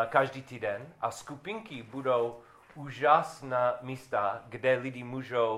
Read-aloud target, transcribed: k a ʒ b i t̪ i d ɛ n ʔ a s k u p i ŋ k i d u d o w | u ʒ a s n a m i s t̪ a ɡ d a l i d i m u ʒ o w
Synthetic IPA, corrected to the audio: k a ʒ d i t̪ i d ɛ n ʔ a s k u p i ŋ k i b u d o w | u ʒ a s n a m i s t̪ a ɡ d ɛ l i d i m u ʒ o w